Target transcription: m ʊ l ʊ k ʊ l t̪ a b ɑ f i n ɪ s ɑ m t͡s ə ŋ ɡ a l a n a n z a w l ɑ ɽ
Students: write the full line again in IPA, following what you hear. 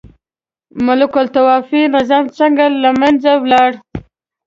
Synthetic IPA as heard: m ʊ l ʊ k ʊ l t̪ a w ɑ f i n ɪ z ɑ m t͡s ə ŋ ɡ a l a m a n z a w l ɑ ɽ